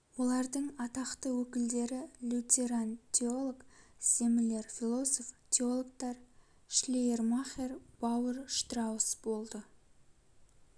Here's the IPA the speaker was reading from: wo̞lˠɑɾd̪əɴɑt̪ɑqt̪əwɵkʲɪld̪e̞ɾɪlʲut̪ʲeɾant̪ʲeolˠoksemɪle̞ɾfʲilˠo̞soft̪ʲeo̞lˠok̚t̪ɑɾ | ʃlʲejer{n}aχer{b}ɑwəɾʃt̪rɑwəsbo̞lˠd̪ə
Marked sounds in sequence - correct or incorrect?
incorrect, correct

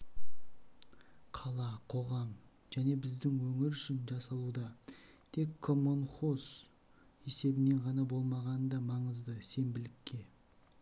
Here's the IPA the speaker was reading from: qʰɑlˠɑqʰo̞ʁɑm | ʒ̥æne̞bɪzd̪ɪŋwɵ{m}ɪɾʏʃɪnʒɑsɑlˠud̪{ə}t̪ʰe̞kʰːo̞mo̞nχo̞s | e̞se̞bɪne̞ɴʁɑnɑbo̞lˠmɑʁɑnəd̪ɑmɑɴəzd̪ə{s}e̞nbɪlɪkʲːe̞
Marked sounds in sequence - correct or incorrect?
incorrect, incorrect, correct

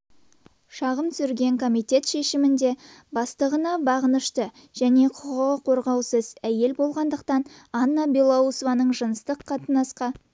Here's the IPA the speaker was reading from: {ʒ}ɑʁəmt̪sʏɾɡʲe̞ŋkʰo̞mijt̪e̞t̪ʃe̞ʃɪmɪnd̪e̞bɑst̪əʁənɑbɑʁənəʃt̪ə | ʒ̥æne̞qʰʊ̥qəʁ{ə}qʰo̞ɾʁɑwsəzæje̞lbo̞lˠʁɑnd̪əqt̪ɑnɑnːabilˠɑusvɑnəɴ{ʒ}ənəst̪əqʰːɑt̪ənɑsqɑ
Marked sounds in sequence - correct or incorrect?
incorrect, correct, correct

